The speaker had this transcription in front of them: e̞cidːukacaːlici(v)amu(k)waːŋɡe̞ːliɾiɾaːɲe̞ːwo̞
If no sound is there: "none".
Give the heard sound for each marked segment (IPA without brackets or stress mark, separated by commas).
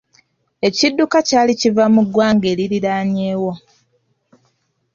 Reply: v, ɡ